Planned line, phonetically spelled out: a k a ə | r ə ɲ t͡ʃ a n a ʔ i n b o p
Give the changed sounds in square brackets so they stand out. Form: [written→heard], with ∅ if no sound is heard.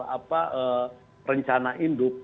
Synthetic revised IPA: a [k→p] a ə | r ə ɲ t͡ʃ a n a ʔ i n [b→d] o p